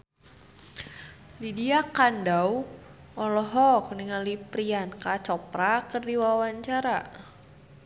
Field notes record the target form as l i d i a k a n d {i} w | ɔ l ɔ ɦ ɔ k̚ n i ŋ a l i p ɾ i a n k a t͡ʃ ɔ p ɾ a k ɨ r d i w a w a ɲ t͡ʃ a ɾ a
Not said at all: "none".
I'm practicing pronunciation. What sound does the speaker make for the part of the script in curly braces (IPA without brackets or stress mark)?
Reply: a